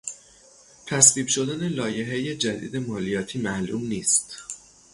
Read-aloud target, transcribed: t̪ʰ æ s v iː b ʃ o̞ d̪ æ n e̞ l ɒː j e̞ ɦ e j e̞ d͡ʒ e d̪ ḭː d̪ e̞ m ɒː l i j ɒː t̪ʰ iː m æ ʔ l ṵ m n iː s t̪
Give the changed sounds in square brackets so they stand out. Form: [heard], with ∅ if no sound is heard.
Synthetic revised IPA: t̪ʰ æ s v iː b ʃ o̞ d̪ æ n e̞ l ɒː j e̞ ɦ e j e̞ d͡ʒ [æ] d̪ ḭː d̪ e̞ m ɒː l i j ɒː t̪ʰ iː m æ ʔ l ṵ m n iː s t̪